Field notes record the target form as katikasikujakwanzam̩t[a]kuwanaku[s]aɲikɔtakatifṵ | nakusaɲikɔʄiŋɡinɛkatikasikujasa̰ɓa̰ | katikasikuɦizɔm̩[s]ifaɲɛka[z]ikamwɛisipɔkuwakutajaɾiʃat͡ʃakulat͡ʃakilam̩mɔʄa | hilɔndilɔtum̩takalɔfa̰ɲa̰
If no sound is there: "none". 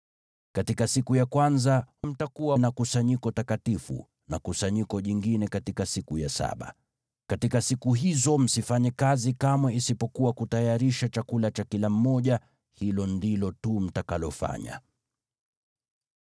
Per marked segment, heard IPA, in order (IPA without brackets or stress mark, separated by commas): a, s, s, z